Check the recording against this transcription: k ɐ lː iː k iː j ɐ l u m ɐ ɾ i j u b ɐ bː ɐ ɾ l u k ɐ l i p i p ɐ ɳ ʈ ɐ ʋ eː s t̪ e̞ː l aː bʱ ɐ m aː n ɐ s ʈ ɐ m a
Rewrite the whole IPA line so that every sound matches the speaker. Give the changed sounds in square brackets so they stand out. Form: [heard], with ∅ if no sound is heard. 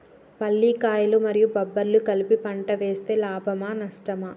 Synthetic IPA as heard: [p] ɐ lː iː k [aː] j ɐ l u m ɐ ɾ i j u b ɐ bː ɐ ɾ l u k ɐ l i p i p ɐ ɳ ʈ ɐ ʋ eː s t̪ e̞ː l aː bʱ ɐ m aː n ɐ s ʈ ɐ m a